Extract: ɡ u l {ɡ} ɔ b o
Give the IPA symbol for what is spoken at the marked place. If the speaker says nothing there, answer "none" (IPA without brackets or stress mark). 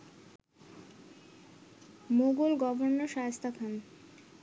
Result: ɡ